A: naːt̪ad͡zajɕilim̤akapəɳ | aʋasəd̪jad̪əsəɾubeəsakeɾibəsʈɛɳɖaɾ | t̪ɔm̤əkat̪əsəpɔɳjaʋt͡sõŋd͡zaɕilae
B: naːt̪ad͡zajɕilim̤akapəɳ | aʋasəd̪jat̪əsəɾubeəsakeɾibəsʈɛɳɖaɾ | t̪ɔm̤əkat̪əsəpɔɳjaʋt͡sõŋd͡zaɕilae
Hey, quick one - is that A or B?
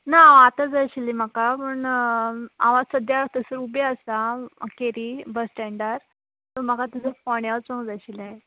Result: B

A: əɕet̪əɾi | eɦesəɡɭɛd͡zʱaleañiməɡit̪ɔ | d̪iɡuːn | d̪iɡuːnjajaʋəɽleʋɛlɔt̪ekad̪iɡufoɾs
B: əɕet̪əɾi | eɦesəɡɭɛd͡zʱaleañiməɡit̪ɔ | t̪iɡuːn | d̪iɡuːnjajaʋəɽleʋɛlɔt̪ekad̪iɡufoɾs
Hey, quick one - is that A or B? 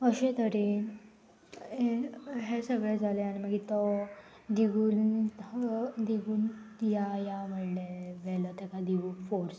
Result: A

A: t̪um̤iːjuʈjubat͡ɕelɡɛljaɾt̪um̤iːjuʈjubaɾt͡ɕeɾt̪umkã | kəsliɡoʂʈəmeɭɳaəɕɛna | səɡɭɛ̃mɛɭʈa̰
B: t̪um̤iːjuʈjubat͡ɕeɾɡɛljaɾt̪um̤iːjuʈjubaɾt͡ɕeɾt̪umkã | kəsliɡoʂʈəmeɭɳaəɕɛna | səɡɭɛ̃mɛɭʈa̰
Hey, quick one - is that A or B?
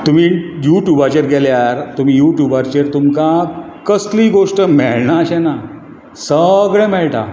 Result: B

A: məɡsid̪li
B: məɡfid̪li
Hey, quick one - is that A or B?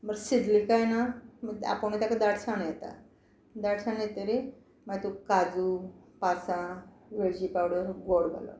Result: A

